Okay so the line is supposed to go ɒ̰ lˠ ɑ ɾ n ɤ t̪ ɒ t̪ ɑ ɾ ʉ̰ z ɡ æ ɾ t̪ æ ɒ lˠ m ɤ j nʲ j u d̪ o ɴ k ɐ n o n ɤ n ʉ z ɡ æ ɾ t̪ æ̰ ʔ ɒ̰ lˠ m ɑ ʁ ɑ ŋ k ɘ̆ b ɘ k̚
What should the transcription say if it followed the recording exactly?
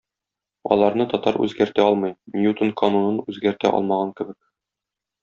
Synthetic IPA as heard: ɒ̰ lˠ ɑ ɾ n ɤ t̪ ɒ t̪ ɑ ɾ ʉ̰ z ɡ æ ɾ t̪ æ ɒ lˠ m ɤ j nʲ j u t̪ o n k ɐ n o n ɤ n ʉ z ɡ æ ɾ t̪ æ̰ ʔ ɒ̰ lˠ m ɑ ʁ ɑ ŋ k ɘ̆ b ɘ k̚